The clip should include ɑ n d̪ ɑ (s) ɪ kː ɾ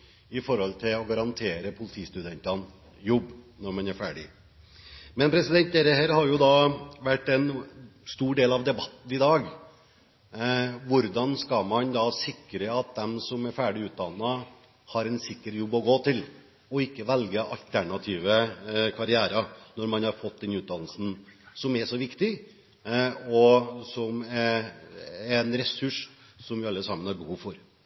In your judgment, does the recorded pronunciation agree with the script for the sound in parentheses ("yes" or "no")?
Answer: yes